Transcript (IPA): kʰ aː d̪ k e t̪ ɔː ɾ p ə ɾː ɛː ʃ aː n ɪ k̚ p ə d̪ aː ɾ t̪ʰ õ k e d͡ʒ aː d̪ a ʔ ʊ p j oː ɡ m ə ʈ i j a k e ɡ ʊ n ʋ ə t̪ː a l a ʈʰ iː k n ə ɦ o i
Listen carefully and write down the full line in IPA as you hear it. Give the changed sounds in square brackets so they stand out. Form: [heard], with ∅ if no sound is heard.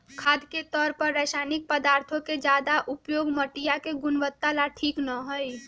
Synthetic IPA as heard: kʰ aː d̪ k e t̪ ɔː ɾ p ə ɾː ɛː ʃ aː n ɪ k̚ p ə d̪ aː ɾ t̪ʰ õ k e d͡ʒ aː d̪ a ʔ ʊ p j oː ɡ m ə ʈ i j a k e ɡ ʊ n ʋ ə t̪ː a l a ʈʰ iː k n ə ɦ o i